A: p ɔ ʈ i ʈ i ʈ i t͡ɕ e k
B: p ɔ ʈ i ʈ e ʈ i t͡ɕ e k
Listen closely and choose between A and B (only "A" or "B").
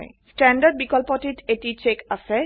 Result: B